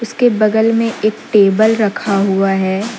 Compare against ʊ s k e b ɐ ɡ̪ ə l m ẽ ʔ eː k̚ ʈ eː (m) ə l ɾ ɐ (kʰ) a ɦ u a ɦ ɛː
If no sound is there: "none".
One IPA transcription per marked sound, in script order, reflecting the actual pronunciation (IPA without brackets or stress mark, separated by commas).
b, kʰ